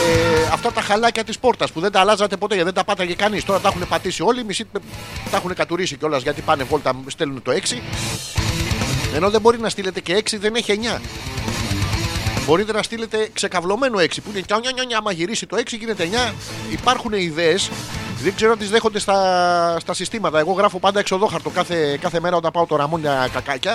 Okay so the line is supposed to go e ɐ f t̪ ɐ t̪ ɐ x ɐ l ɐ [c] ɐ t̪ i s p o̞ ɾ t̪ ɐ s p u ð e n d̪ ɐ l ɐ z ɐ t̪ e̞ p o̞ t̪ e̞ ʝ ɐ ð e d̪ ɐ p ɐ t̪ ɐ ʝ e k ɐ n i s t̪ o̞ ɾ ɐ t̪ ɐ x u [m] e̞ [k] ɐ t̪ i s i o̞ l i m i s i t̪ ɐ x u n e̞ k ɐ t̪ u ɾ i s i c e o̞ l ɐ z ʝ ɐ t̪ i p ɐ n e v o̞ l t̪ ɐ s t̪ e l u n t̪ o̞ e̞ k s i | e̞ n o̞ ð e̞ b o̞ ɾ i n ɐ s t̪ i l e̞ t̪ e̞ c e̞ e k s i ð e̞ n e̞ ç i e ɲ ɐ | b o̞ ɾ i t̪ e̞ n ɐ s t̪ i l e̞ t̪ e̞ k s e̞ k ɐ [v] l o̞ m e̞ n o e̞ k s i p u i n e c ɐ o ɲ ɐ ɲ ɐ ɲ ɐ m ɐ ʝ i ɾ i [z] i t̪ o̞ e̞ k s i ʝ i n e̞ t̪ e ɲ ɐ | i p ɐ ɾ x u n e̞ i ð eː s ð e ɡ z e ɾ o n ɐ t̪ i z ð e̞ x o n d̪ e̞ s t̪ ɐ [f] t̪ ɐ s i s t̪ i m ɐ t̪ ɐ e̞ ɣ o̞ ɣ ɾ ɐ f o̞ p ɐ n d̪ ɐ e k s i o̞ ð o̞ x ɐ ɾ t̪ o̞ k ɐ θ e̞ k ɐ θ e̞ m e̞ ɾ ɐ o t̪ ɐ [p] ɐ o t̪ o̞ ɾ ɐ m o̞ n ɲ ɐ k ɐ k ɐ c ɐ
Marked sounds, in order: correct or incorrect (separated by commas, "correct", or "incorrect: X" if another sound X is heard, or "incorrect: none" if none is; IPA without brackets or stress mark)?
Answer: correct, incorrect: n, incorrect: p, correct, incorrect: s, incorrect: s, correct